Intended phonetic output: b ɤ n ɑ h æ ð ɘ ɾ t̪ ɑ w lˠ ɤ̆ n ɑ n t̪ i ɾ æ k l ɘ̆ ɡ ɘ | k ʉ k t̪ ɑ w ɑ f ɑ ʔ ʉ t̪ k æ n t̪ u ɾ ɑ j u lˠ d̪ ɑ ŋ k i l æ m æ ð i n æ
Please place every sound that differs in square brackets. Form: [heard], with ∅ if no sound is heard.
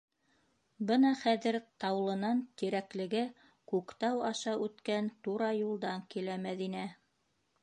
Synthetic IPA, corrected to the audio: b ɤ n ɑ [χ] æ ð ɘ ɾ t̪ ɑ w lˠ ɤ̆ n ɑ n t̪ i ɾ æ k l ɘ̆ ɡ ɘ | k ʉ k t̪ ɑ w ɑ [ʃ] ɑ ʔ ʉ t̪ k æ n t̪ u ɾ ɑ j u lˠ d̪ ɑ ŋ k i l æ m æ ð i n æ